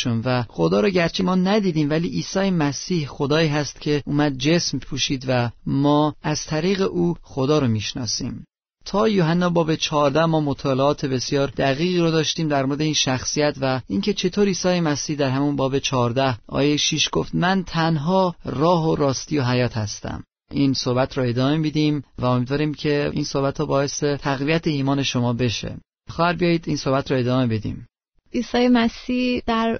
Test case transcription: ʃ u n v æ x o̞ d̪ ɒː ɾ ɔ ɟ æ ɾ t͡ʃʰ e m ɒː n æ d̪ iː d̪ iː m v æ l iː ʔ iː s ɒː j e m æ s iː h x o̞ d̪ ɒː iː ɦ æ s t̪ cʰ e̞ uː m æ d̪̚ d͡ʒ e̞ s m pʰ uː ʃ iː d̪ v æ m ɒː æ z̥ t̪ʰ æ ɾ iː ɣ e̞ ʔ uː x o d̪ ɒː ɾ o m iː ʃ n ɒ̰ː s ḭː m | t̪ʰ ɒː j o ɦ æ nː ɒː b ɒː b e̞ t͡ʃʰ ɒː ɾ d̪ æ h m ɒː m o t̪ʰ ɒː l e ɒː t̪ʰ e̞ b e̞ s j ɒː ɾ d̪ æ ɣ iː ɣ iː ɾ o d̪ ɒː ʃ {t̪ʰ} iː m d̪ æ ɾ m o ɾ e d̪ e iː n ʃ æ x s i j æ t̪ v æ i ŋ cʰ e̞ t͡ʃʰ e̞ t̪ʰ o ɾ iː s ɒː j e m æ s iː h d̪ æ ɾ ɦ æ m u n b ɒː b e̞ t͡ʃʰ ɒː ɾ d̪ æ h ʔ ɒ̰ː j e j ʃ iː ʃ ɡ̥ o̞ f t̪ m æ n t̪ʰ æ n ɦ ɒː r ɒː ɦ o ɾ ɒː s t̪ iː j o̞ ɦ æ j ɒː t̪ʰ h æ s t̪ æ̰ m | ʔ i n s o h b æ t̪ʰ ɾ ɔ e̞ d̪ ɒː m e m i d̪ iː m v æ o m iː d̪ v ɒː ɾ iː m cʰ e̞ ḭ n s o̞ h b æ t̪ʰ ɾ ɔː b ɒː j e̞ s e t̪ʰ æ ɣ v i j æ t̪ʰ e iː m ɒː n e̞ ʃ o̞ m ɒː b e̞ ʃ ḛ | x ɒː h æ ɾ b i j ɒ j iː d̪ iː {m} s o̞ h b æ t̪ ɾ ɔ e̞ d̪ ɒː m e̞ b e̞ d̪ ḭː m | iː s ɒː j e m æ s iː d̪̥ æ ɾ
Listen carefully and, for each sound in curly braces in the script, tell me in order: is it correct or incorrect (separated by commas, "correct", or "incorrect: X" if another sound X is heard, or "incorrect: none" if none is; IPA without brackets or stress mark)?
incorrect: t̪, incorrect: n